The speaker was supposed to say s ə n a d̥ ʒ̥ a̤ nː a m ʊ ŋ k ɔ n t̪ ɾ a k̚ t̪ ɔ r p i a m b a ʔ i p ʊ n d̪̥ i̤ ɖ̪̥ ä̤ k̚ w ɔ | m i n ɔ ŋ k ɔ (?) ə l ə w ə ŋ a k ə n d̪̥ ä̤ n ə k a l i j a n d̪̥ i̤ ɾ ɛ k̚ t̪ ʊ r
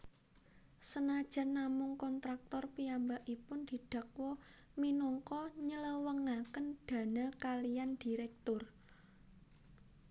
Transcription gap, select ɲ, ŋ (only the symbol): ɲ